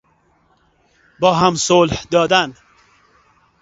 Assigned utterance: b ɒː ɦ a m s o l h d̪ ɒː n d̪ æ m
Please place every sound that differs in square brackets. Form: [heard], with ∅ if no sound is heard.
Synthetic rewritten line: b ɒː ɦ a m s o l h d̪ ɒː [∅] d̪ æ [n]